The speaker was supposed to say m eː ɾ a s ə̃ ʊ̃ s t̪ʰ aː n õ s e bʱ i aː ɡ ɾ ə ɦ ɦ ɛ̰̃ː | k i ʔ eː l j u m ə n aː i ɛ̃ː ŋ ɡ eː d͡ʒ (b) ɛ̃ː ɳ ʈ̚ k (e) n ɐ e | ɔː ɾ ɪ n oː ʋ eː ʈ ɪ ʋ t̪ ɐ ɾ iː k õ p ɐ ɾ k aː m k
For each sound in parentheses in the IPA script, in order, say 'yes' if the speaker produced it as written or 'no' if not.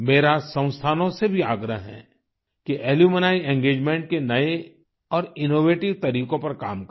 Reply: no, yes

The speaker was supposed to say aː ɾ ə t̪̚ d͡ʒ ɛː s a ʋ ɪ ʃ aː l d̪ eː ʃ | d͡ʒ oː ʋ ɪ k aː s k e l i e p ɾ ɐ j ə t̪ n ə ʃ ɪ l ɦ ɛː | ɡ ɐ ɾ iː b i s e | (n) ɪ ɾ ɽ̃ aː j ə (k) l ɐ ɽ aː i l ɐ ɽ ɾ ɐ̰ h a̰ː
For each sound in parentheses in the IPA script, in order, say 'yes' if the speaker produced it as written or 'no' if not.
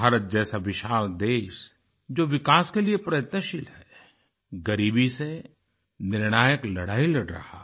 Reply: yes, yes

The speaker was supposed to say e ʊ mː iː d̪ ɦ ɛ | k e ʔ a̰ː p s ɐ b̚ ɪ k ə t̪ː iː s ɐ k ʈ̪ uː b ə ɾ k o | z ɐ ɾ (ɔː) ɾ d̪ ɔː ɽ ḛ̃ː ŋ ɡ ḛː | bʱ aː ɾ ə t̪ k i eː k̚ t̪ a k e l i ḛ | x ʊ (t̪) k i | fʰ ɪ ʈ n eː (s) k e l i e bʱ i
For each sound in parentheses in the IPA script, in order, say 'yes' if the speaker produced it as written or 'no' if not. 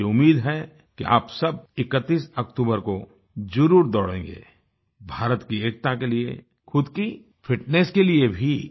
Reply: no, no, yes

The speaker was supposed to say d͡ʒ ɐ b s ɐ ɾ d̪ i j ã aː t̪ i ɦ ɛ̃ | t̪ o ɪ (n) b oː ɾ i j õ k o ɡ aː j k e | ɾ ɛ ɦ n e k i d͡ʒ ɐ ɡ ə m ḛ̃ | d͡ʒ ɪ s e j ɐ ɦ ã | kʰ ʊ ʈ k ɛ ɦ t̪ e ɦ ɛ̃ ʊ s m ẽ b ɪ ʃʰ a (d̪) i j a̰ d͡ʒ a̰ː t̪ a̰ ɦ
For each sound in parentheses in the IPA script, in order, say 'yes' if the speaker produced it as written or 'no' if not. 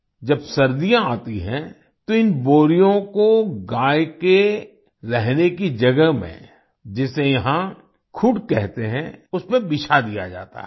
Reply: yes, yes

